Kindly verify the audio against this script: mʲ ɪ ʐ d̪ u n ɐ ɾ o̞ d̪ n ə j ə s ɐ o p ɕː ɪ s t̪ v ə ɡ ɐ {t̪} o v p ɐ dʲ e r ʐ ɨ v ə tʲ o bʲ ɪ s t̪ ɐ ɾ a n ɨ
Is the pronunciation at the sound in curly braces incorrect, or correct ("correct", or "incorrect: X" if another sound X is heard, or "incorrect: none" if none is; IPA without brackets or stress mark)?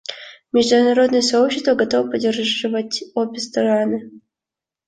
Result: correct